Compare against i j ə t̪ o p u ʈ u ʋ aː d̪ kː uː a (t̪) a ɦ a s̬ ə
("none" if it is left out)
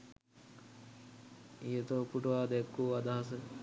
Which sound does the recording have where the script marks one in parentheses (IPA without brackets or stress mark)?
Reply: d̪